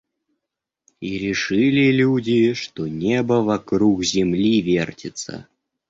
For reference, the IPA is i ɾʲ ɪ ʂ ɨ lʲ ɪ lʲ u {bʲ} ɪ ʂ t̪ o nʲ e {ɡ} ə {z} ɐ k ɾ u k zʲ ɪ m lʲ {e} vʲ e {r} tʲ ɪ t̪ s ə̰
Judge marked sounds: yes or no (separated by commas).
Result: no, no, no, no, yes